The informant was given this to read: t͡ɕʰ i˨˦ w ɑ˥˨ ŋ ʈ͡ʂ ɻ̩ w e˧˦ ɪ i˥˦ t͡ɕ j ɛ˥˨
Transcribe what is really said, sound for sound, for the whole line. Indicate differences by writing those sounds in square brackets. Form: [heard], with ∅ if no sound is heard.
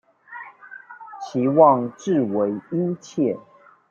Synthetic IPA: t͡ɕʰ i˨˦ w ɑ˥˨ ŋ ʈ͡ʂ ɻ̩ w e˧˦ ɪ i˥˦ [t͡ɕʰ] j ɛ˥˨